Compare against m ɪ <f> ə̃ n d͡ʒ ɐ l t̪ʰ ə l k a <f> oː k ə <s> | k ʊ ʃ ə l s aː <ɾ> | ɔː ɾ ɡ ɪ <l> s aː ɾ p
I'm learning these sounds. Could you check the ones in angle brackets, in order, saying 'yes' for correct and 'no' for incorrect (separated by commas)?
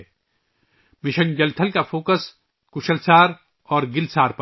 no, yes, yes, yes, yes